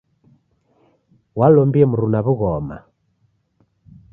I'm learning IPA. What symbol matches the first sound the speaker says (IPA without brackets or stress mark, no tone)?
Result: w